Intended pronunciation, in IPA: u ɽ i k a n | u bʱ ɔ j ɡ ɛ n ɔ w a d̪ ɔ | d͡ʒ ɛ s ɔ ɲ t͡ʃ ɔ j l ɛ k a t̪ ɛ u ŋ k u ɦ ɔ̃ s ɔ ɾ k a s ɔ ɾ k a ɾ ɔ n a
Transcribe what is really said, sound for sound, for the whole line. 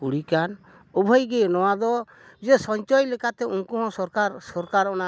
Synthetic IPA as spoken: u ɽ i k a n | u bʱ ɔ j ɡ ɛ n ɔ w a d̪ ɔ | d͡ʒ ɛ s ɔ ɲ t͡ʃ ɔ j l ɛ k a t̪ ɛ u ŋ k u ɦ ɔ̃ s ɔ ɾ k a s ɔ ɾ k a ɾ ɔ n a

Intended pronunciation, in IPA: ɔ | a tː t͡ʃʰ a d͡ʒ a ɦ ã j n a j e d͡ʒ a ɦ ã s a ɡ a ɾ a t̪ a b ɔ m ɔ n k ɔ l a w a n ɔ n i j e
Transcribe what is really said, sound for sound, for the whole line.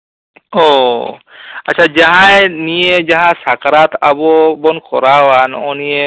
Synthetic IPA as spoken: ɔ | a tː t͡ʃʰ a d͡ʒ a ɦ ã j n i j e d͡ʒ a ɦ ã s a k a ɾ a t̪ a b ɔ b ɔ n k ɔ ɾ a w a n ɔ n i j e

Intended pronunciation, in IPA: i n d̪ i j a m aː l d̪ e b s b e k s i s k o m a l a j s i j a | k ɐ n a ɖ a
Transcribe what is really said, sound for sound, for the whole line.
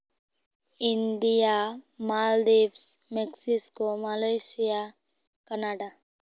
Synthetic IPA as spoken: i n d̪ i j a m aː l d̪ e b s m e k s i s k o m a l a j s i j a | k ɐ n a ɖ a

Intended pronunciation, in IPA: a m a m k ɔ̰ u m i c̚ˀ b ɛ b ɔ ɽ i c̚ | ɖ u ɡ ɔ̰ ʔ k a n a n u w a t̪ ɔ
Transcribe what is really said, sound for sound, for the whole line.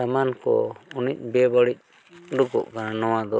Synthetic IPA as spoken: a m a n k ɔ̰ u n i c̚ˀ b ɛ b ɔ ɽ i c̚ | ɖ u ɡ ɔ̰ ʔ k a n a n ɔ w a d̪ ɔ

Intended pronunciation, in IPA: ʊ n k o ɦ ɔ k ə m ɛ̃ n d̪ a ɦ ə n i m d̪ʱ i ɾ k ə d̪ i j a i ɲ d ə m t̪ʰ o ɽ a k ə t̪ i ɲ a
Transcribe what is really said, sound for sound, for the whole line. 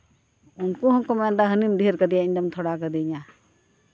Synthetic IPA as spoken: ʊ n k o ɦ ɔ k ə m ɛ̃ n d̪ a ɦ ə n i m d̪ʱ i ɾ k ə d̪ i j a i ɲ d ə m t̪ʰ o ɽ a k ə d̪ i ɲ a

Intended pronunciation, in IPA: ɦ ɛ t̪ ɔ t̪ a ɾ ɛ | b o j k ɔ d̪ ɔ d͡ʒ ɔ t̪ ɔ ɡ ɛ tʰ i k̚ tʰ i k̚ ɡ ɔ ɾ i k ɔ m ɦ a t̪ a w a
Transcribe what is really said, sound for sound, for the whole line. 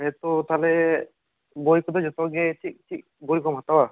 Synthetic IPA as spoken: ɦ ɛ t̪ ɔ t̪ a l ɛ | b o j k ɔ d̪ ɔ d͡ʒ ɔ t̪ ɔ ɡ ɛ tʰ i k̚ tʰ i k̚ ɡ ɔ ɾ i k ɔ m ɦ a t̪ a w a

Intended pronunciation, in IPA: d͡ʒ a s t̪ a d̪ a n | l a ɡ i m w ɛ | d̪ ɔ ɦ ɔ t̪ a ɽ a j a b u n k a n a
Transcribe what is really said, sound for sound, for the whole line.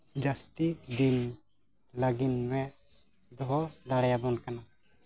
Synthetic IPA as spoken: d͡ʒ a s t̪ i d̪ i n | l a ɡ i n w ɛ | d̪ ɔ ɦ ɔ d̪ a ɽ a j a b ɔ n k a n a

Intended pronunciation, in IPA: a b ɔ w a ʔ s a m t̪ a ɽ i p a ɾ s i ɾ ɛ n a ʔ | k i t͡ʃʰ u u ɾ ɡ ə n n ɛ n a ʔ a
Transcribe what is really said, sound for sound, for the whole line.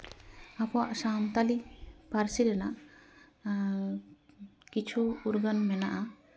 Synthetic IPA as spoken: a p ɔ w a ʔ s a m t̪ a l i p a ɾ s i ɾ ɛ n a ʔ | k i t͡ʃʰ u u ɾ ɡ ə n m ɛ n a ʔ a

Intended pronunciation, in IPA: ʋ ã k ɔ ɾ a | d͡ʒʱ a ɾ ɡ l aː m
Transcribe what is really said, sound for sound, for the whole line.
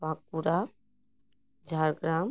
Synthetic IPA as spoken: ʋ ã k u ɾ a | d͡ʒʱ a ɾ ɡ ɾ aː m

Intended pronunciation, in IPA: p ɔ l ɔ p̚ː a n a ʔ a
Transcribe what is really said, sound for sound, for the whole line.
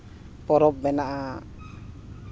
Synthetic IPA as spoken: p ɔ ɾ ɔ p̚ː ɛ n a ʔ a

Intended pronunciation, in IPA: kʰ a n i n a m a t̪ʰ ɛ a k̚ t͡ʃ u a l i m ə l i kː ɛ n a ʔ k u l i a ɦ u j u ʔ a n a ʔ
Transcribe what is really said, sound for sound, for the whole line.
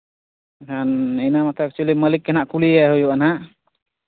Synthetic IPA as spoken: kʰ a n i n a m a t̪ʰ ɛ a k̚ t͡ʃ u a l i m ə l i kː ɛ n a ʔ k u l i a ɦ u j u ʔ a n a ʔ

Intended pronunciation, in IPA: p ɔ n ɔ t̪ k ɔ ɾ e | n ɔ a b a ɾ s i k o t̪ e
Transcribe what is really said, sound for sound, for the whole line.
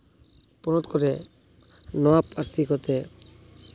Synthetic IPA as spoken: p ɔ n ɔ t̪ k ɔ ɾ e | n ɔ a p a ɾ s i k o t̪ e

